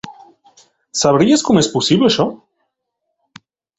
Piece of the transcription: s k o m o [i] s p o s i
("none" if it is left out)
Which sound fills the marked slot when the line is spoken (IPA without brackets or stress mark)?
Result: e